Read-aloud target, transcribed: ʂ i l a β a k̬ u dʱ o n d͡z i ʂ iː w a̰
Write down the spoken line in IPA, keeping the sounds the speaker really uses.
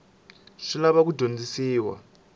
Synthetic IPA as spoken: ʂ i l a β a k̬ u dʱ o n d͡z i s iː w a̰